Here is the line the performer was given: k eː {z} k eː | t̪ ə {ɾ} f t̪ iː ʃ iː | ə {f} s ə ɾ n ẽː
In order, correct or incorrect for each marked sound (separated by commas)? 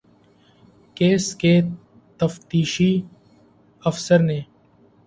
incorrect, incorrect, correct